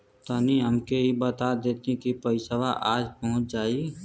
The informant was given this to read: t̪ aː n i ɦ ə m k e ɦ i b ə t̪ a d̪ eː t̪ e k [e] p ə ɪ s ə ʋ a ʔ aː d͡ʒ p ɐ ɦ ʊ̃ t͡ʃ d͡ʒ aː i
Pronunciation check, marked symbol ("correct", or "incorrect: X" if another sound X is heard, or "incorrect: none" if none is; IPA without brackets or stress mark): incorrect: i